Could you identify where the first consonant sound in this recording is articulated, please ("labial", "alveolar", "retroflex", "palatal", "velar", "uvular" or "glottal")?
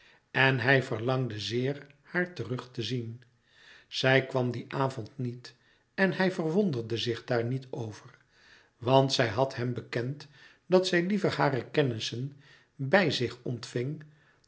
alveolar